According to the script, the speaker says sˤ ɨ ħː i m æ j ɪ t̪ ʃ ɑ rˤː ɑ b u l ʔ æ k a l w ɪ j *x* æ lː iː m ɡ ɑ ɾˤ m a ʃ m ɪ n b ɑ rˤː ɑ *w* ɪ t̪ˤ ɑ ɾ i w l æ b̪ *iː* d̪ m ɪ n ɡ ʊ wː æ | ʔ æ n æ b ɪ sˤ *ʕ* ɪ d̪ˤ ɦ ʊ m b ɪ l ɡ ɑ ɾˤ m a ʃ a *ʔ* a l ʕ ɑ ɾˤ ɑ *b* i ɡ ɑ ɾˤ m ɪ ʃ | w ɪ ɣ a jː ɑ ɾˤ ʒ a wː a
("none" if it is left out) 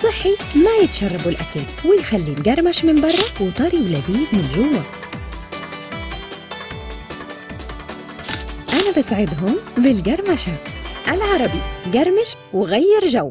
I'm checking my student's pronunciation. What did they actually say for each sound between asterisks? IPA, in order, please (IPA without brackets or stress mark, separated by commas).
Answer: x, w, iː, ʕ, ʔ, b